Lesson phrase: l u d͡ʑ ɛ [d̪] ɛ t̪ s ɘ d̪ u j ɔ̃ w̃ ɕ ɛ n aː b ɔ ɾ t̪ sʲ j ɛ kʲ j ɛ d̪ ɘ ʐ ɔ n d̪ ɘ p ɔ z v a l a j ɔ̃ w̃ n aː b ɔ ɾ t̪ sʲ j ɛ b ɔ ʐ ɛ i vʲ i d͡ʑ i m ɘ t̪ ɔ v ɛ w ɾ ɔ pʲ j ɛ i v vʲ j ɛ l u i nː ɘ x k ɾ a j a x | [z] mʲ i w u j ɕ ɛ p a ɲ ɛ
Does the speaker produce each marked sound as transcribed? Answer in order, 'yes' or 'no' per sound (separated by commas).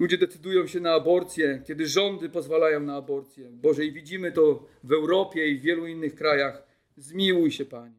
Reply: yes, yes